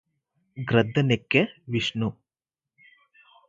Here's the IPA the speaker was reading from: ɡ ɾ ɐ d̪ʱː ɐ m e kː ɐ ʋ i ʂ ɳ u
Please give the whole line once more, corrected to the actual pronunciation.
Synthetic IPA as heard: ɡ ɾ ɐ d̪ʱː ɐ n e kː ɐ ʋ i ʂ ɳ u